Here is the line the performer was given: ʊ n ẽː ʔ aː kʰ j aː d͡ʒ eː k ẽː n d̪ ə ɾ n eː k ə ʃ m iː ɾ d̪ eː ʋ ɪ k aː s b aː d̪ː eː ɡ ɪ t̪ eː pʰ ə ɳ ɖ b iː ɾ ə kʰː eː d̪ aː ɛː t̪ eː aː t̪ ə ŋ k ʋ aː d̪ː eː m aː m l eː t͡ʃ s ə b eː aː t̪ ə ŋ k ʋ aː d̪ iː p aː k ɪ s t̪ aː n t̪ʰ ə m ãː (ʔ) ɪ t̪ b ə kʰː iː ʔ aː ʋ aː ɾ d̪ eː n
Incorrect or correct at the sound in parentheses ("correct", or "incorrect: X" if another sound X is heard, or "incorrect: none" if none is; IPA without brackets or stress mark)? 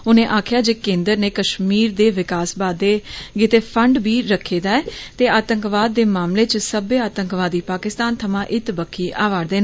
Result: correct